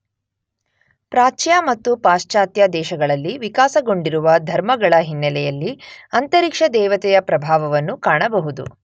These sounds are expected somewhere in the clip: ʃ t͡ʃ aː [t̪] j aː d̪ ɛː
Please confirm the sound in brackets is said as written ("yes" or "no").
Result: yes